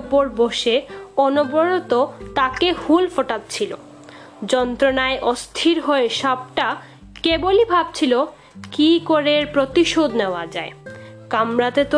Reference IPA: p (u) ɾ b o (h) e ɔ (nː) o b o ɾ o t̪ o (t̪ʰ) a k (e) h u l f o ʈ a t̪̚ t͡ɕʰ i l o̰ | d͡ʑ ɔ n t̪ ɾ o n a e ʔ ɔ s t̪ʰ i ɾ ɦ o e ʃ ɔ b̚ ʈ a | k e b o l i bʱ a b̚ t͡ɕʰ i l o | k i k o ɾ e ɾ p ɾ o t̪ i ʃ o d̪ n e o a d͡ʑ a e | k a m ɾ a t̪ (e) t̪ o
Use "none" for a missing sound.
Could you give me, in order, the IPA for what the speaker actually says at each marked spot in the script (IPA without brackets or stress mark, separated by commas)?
o, ʃ, n, t̪, e, e